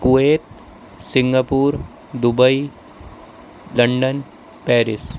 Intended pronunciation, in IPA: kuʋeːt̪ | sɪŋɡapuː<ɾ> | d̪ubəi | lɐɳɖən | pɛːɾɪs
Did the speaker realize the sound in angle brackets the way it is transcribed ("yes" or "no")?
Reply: yes